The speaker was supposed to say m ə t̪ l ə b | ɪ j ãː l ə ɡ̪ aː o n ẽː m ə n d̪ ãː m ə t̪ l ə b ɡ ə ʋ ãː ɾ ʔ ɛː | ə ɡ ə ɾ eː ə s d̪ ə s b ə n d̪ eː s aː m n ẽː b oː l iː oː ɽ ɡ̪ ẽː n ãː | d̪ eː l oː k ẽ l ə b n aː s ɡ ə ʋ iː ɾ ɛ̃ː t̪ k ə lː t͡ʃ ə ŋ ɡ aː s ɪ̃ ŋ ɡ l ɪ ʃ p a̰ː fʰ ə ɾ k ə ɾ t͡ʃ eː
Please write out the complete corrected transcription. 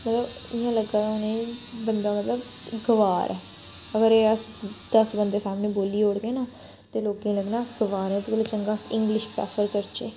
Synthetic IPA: m ə t̪ l ə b | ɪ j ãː l ə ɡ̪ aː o n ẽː b ə n d̪ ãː m ə t̪ l ə b ɡ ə ʋ aː ɾ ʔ ɛː | ə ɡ ə ɾ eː ə s d̪ ə s b ə n d̪ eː s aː m n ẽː b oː l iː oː ɽ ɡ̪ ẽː n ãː | t̪ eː l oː k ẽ l ə ɡ n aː s ɡ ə ʋ aː ɾ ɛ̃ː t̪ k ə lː t͡ʃ ə ŋ ɡ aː s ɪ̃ ŋ ɡ l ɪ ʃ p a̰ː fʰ ə ɾ k ə ɾ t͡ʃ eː